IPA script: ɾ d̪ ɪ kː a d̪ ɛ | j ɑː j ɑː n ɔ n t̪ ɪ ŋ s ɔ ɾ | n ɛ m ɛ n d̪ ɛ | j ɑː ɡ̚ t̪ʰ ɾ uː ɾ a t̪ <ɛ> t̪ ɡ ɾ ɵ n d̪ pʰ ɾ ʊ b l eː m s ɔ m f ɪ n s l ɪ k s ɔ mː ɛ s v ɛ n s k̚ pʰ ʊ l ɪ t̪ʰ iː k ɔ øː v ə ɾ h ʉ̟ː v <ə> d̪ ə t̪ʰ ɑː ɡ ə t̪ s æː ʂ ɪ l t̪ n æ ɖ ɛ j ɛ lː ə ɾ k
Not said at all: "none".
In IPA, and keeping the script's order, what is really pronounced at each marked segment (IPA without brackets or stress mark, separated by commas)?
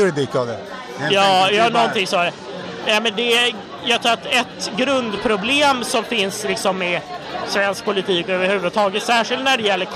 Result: ɛ, ə